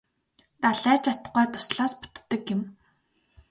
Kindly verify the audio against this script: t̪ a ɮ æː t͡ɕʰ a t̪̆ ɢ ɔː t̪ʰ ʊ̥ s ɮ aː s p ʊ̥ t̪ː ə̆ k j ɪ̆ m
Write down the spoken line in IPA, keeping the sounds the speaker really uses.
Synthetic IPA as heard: t̪ a ɮ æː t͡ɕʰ a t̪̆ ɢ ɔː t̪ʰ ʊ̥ s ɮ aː s p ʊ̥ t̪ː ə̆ k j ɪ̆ m